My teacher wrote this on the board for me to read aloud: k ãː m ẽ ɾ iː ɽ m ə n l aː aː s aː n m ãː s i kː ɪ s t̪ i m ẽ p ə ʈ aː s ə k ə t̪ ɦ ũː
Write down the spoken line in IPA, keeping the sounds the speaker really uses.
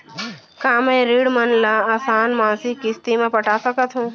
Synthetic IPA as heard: k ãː m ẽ ɾ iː ɽ m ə n l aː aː s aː n m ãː s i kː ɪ s t̪ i m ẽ p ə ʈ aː s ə k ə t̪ ɦ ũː